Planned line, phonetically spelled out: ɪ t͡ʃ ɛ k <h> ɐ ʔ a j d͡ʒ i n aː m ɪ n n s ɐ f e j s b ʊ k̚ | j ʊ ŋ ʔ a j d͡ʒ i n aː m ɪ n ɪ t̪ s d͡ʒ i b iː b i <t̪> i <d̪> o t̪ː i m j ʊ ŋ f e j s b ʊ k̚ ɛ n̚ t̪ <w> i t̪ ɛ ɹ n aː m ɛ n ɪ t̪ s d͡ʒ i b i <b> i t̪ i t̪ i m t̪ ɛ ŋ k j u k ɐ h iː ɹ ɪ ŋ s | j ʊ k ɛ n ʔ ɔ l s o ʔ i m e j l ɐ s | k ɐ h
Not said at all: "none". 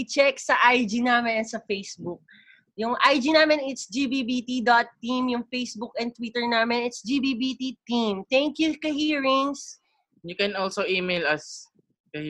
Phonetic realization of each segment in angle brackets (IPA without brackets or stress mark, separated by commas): s, t̪, d̪, w, b